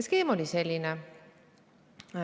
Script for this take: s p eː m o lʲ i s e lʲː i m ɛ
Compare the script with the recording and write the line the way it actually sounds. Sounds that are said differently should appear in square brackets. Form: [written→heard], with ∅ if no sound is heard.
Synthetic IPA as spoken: s [p→k] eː m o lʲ i s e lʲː i [m→n] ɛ